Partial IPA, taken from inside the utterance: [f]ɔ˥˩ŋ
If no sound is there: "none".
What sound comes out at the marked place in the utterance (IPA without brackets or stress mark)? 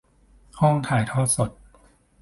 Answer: h